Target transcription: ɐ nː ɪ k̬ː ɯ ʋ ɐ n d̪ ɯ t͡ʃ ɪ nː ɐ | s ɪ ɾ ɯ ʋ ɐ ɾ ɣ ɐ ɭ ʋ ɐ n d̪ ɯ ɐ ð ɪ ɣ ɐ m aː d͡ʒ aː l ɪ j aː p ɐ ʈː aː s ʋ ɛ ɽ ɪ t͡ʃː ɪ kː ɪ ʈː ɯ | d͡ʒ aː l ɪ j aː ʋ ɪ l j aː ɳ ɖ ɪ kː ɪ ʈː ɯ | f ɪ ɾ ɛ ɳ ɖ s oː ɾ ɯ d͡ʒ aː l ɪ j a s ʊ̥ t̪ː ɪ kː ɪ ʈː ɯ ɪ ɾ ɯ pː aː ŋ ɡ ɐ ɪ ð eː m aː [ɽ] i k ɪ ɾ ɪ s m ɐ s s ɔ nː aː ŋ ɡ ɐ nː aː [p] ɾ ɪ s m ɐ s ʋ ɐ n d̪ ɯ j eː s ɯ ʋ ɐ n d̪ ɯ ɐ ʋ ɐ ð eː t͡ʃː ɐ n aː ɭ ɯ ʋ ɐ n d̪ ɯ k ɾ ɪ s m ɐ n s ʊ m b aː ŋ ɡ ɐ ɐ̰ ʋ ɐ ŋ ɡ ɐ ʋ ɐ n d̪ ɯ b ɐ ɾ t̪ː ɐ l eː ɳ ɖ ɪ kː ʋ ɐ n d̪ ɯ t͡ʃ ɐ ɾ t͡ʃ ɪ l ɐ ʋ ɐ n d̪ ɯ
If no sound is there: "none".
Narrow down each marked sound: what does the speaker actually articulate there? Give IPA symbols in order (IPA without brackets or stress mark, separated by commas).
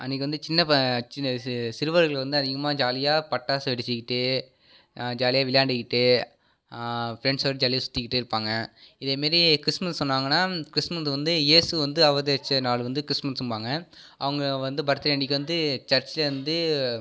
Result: ɾ, k